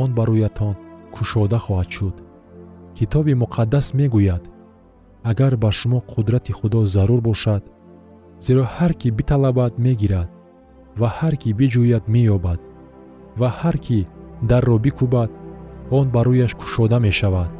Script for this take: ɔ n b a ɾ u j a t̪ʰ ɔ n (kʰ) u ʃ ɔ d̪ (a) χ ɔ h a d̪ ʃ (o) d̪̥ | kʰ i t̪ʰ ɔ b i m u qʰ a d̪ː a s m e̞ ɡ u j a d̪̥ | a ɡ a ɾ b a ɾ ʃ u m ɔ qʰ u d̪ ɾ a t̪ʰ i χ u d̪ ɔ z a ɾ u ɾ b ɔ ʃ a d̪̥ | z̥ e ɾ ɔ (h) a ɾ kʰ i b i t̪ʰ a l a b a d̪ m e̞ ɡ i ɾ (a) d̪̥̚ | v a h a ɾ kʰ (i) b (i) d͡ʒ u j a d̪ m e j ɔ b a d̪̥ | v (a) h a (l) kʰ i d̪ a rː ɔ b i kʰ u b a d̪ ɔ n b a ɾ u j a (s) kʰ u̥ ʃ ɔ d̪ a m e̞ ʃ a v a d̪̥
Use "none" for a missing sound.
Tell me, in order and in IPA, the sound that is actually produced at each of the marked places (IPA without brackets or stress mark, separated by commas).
kʰ, a, u, h, a, i, i, a, ɾ, ʃ